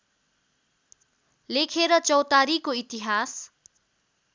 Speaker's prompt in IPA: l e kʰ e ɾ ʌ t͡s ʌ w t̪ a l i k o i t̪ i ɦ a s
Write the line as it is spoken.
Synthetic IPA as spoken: l e kʰ e ɾ ʌ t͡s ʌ w t̪ a ɾ i k o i t̪ i ɦ a s